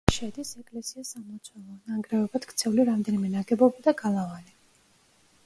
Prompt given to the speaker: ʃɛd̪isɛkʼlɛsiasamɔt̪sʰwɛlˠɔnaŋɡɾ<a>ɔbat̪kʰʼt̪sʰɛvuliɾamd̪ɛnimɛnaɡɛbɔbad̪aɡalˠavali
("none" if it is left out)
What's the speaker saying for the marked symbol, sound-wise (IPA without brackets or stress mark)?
ɛ